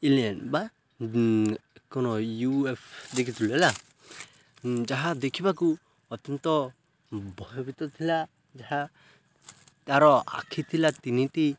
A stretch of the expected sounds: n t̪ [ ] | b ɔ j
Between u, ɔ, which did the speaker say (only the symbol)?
ɔ